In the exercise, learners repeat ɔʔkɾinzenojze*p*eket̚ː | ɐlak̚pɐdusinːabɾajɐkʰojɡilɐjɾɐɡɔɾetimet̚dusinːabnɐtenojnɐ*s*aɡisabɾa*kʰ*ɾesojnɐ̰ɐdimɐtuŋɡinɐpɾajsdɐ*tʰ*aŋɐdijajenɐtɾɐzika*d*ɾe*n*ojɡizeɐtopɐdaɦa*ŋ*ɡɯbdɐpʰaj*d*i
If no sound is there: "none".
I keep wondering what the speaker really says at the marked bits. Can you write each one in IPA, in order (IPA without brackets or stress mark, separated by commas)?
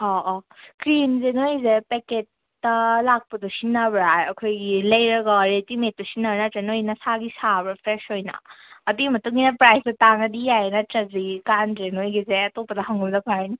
p, s, pʰ, t, n, n, ŋ, n